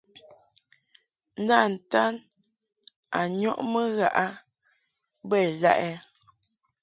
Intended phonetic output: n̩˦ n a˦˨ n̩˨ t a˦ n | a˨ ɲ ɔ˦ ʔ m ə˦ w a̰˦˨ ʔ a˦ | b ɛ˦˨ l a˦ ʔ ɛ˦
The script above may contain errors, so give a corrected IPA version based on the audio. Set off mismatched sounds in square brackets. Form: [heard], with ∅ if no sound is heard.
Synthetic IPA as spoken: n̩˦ [d] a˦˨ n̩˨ t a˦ n | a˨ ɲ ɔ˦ ʔ m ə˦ [ɣ] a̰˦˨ ʔ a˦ | b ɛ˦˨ l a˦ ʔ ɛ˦